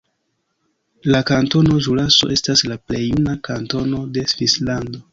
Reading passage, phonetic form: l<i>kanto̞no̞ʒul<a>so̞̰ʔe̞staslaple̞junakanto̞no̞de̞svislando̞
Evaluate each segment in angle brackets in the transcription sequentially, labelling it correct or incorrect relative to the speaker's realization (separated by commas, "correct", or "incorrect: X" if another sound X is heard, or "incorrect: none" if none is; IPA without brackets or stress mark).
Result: incorrect: a, correct